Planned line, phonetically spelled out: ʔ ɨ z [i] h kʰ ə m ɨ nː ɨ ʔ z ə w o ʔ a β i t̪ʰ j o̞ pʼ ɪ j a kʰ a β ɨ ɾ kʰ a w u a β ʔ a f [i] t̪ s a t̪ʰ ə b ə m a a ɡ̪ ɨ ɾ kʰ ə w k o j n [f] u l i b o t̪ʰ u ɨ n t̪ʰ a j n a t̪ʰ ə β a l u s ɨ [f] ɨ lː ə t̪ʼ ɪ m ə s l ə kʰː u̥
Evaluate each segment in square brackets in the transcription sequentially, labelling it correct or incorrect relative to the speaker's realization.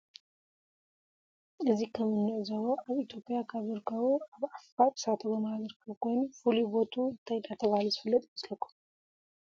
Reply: correct, incorrect, correct, correct

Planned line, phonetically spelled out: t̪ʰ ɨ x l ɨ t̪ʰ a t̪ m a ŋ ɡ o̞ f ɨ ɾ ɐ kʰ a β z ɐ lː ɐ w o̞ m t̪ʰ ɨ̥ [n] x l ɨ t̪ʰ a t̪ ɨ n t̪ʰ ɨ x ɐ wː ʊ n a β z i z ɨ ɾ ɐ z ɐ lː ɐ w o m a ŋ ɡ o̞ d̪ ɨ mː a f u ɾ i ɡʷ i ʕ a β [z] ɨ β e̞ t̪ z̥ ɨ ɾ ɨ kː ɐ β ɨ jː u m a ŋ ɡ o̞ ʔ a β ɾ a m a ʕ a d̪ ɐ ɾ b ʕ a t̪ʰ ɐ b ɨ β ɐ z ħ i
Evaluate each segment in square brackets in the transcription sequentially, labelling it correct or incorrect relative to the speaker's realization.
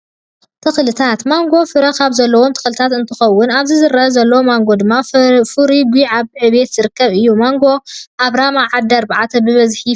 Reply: incorrect, incorrect

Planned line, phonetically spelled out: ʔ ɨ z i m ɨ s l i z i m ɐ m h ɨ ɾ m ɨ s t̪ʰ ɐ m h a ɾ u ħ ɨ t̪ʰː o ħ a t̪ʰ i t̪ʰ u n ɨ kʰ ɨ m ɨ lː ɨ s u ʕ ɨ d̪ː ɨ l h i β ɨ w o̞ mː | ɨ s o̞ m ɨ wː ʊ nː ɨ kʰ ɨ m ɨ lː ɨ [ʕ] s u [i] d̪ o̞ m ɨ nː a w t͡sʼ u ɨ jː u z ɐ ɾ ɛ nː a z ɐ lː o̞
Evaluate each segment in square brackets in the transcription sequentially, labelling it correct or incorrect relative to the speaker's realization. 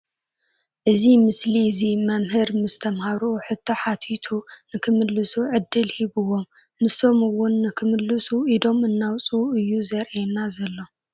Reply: incorrect, correct

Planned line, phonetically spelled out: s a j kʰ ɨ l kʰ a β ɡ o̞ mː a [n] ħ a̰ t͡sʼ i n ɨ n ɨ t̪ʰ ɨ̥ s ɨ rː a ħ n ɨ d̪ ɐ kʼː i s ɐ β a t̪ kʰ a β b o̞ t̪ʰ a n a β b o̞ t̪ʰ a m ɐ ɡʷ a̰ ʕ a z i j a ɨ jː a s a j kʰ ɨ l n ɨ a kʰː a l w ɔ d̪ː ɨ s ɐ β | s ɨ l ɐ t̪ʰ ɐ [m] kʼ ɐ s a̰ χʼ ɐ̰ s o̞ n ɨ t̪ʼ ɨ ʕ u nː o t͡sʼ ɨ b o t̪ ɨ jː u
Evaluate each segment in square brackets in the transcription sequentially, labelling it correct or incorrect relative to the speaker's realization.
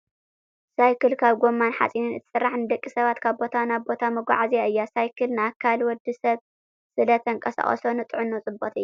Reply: correct, incorrect

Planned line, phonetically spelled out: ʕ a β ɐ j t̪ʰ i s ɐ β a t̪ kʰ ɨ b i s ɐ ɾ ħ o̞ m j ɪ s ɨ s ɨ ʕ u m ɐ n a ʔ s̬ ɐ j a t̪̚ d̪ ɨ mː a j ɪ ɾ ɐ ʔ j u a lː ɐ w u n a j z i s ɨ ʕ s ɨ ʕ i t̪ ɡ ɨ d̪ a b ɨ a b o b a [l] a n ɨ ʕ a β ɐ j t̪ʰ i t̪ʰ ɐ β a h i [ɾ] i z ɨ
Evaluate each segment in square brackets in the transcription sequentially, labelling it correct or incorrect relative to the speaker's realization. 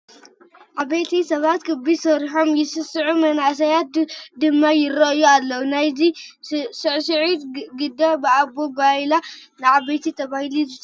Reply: correct, incorrect

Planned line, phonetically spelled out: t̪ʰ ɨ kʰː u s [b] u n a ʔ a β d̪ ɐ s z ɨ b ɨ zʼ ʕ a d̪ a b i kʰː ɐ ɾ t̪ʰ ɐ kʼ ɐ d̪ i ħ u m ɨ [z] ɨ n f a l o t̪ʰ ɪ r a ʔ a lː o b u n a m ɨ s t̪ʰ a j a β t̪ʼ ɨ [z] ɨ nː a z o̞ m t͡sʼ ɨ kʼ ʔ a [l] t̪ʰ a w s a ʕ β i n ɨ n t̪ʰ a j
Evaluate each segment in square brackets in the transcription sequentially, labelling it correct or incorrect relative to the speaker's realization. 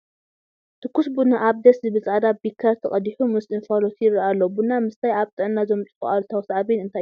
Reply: correct, incorrect, incorrect, correct

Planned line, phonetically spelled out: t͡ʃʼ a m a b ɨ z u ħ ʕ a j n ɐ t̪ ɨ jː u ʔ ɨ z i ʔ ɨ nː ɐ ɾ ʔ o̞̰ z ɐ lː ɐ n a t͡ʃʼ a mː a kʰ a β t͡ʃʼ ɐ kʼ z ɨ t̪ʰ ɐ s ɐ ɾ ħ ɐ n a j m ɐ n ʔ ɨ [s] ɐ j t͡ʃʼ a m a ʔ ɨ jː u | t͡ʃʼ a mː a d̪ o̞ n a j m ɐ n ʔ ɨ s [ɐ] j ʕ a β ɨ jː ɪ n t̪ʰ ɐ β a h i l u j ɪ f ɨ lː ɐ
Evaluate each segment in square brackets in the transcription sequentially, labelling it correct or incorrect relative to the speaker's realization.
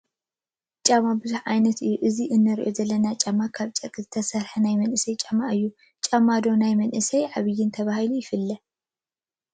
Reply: correct, correct

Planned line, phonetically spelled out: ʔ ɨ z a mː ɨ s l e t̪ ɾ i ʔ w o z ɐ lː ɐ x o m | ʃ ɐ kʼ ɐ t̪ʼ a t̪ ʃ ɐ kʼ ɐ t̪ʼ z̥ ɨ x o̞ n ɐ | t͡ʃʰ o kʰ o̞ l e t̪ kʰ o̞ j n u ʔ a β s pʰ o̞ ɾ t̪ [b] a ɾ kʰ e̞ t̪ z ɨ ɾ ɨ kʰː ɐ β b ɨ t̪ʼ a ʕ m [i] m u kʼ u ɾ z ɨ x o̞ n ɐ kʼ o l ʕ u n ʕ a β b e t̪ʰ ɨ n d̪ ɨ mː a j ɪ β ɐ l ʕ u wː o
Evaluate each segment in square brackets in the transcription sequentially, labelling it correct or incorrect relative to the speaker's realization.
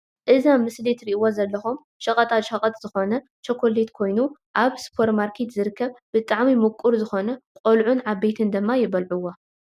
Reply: incorrect, correct

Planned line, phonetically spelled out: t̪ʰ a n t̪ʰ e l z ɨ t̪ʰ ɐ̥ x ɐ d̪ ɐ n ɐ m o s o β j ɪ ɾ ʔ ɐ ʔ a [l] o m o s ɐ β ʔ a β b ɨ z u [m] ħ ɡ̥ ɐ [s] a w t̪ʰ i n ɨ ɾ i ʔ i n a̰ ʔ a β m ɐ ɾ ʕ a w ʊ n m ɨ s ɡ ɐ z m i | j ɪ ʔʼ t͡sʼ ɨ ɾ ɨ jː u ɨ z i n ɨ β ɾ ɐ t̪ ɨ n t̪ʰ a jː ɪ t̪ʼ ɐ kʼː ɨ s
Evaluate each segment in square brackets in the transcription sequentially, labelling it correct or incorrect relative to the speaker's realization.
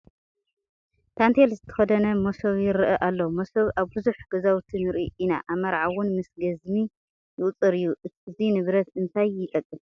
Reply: incorrect, incorrect, incorrect

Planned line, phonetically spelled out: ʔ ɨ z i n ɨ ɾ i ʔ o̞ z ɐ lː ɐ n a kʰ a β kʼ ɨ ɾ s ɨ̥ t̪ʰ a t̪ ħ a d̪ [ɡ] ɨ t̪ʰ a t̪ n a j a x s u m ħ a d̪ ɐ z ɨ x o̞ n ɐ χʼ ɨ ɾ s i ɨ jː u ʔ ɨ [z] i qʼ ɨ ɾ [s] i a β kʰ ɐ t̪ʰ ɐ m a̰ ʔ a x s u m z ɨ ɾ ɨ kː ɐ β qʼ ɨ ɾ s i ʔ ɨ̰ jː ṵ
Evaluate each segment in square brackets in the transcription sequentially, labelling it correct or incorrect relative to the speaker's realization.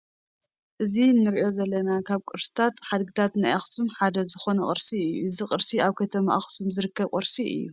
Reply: correct, correct, correct

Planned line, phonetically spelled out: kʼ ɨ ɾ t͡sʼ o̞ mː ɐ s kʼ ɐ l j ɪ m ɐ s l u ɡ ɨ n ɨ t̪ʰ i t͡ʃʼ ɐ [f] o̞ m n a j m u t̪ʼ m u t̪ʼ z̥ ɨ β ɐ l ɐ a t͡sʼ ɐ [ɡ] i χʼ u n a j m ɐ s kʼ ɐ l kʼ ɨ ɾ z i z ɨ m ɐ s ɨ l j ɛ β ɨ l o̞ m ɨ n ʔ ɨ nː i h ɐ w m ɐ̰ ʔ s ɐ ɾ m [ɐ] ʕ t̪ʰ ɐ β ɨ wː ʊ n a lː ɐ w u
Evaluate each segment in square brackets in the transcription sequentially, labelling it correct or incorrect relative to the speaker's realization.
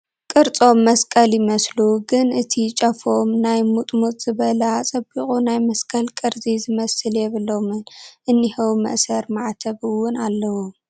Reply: correct, incorrect, incorrect

